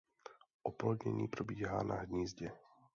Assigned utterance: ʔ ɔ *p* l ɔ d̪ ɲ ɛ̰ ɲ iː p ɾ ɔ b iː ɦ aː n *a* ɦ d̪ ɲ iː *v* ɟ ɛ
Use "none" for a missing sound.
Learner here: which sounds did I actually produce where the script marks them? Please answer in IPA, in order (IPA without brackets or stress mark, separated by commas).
p, a, z